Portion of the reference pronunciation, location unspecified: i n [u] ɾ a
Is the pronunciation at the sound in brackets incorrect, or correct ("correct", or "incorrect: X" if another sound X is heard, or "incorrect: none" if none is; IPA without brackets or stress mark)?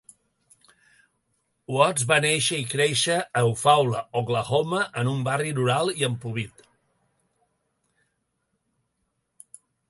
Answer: correct